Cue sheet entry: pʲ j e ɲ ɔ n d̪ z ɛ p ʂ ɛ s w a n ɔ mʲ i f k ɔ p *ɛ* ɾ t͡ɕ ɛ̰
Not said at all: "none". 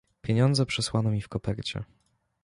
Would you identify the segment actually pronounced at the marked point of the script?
ɛ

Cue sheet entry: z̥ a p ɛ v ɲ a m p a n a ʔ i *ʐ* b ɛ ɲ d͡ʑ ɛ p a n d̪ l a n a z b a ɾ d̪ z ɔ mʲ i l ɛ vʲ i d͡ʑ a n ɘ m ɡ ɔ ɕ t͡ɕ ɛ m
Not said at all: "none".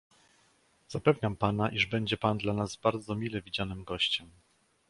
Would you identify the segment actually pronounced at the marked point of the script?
ʐ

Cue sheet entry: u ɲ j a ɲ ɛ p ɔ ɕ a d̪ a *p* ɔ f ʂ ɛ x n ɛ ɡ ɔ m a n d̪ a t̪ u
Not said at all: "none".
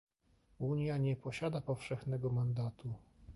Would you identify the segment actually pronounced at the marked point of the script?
p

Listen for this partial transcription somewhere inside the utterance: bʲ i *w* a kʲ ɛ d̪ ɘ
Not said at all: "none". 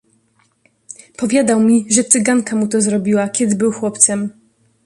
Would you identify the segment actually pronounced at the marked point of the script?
w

